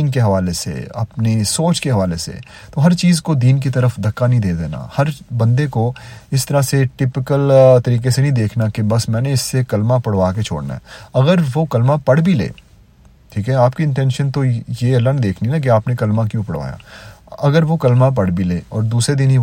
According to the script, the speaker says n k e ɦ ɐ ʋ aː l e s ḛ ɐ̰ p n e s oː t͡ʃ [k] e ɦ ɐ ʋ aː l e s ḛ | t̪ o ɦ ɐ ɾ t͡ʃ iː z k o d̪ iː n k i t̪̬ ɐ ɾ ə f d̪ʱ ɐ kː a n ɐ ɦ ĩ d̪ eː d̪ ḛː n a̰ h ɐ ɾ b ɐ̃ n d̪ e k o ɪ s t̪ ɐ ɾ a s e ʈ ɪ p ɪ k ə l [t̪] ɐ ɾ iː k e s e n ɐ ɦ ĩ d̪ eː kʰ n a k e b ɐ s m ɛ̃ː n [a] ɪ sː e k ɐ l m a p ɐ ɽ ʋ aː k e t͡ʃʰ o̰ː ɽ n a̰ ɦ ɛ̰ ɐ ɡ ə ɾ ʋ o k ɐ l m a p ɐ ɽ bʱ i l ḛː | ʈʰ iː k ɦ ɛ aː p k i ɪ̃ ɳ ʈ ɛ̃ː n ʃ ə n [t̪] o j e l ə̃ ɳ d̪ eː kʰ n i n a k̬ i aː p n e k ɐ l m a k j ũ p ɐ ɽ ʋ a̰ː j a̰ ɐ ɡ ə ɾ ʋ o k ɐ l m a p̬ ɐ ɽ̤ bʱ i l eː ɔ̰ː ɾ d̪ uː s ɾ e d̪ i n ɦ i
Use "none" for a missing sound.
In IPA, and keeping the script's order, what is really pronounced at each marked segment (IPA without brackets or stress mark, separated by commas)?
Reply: k, t̪, e, t̪